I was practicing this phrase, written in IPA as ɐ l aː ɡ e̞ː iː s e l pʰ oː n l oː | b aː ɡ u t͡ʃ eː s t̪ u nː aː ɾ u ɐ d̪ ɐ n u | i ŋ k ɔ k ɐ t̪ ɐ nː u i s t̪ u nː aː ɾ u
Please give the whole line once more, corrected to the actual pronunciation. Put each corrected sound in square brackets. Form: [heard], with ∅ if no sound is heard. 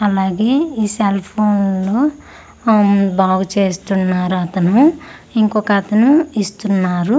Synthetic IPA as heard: ɐ l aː ɡ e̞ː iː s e l pʰ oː n l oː | b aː ɡ u t͡ʃ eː s t̪ u nː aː ɾ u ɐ [t̪] ɐ n u | i ŋ k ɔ k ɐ t̪ ɐ [n] u i s t̪ u nː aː ɾ u

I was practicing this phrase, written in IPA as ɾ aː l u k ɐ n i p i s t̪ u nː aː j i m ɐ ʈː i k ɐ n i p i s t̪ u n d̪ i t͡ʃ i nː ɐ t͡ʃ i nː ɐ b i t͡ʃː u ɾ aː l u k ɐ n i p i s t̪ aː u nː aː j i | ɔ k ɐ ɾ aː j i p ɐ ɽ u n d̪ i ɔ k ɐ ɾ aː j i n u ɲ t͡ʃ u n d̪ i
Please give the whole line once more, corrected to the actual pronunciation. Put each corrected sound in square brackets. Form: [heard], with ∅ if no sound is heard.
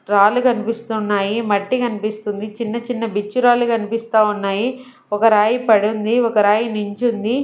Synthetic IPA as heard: ɾ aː l u k ɐ n i p i s t̪ u nː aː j i m ɐ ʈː i k ɐ n i p i s t̪ u n d̪ i t͡ʃ i nː ɐ t͡ʃ i nː ɐ b i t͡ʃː u ɾ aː l u k ɐ n i p i s t̪ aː u nː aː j i | ɔ k ɐ ɾ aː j i p ɐ ɽ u n d̪ i ɔ k ɐ ɾ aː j i n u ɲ t͡ʃ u n d̪ i

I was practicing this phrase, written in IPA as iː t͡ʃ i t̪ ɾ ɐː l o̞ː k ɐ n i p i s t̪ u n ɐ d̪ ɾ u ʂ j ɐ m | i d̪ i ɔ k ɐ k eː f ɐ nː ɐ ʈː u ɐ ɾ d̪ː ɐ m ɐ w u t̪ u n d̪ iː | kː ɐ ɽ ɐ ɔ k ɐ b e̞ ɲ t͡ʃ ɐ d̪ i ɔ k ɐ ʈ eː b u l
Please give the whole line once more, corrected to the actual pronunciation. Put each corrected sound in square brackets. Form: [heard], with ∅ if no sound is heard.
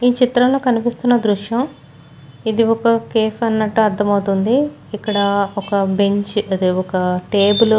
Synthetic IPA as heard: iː t͡ʃ i t̪ ɾ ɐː l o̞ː k ɐ n i p i s t̪ u [nː] ɐ d̪ ɾ u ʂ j ɐ m | i d̪ i ɔ k ɐ k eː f ɐ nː ɐ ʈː u ɐ ɾ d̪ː ɐ m ɐ w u t̪ u n d̪ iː | kː ɐ ɽ ɐ ɔ k ɐ b e̞ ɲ t͡ʃ ɐ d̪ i ɔ k ɐ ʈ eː b u l

